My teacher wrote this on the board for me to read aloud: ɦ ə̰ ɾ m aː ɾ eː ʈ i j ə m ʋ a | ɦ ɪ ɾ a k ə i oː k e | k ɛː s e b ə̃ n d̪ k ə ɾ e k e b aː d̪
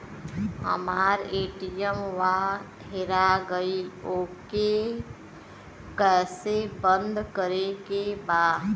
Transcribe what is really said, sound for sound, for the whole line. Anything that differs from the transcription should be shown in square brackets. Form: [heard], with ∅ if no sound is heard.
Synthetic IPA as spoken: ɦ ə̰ [∅] m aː ɾ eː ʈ i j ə m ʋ a | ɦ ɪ ɾ a [ɡ] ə i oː k e | k ɛː s e b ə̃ n d̪ k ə ɾ e k e b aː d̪

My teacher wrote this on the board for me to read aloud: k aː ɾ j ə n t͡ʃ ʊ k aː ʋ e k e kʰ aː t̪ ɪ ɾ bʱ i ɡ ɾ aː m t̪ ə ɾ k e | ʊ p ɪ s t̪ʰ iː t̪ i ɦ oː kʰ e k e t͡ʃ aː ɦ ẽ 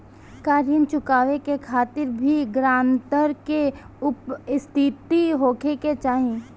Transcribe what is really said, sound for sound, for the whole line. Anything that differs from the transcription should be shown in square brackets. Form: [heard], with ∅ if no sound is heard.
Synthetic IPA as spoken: k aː ɾ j ə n t͡ʃ ʊ k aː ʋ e k e kʰ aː t̪ ɪ ɾ bʱ i ɡ ɾ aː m t̪ ə ɾ k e | ʊ p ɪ s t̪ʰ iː t̪ i ɦ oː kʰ e k e t͡ʃ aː ɦ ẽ

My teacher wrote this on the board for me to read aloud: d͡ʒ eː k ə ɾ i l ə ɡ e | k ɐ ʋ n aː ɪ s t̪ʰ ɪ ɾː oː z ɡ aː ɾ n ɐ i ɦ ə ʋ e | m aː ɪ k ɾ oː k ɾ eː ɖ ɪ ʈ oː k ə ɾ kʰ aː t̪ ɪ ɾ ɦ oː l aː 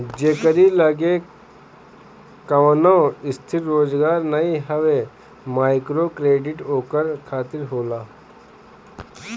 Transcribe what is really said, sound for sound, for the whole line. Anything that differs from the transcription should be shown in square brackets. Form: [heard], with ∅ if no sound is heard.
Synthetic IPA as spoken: d͡ʒ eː k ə ɾ i l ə ɡ e | k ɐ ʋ n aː ɪ s t̪ʰ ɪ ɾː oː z ɡ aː ɾ n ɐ i ɦ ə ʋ e | m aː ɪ k ɾ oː k ɾ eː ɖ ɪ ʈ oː k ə ɾ kʰ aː t̪ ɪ ɾ ɦ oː l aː

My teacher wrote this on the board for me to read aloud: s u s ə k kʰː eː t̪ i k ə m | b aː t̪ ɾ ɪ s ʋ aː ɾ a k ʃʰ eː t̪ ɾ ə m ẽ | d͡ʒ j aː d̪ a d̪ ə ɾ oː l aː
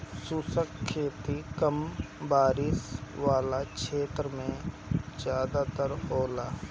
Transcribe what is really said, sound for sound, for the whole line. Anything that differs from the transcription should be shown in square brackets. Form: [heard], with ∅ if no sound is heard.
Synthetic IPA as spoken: s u s ə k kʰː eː t̪ i k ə m | b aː [∅] ɾ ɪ s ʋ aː [l] a k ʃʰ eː t̪ ɾ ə m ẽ | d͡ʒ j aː d̪ a [t̪] ə ɾ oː l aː

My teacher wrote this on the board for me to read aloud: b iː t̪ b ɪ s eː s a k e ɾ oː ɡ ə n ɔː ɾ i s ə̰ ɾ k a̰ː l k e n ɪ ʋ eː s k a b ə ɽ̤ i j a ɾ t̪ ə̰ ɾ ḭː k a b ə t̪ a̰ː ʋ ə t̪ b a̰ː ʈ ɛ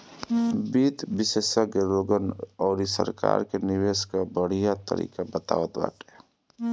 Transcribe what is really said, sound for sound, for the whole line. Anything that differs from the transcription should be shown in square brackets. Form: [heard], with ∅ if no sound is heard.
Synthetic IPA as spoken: b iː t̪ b ɪ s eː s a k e ɾ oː ɡ ə n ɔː ɾ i s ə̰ ɾ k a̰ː [ɾ] k e n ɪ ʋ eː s k a b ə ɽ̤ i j a [∅] t̪ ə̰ ɾ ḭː k a b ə t̪ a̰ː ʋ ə t̪ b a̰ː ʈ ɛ

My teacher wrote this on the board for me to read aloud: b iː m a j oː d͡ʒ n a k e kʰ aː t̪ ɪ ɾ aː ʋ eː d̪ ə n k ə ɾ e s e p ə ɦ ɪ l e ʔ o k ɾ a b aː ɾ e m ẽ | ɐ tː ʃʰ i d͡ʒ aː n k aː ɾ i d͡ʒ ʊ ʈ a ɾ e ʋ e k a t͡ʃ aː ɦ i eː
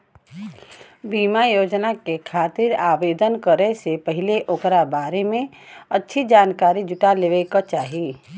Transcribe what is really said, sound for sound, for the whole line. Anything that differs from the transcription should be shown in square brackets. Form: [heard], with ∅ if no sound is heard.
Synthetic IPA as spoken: b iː m a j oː d͡ʒ n a k e kʰ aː t̪ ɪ ɾ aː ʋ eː d̪ ə n k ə ɾ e s e p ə ɦ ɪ l e ʔ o k ɾ a b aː ɾ e m ẽ | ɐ tː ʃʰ i d͡ʒ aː n k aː ɾ i d͡ʒ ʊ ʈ a [l] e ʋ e k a t͡ʃ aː ɦ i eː

